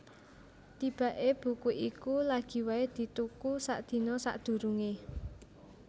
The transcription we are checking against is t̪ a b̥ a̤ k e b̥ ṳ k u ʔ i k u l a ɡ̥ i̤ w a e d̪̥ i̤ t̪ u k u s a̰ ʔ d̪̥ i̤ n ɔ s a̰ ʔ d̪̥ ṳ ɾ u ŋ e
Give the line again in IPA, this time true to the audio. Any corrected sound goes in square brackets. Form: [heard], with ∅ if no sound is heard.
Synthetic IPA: t̪ [i] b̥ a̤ [ʔ] e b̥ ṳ k u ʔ i k u l a ɡ̥ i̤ w a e d̪̥ i̤ t̪ u k u s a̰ ʔ d̪̥ i̤ n ɔ s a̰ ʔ d̪̥ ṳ ɾ u ŋ e